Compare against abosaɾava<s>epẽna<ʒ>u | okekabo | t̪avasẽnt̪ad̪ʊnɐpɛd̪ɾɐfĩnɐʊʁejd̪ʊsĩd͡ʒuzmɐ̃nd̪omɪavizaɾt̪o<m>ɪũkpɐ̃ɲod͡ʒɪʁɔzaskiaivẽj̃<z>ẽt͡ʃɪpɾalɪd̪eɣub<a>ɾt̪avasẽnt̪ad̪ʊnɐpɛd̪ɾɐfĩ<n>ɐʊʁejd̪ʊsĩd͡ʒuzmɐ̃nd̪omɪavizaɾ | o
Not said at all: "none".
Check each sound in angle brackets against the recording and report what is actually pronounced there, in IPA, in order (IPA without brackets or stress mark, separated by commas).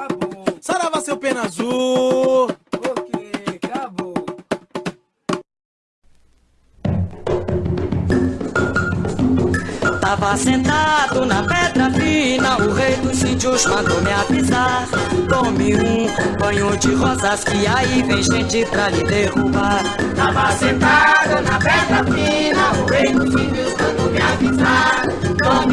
s, z, m, ʒ, a, n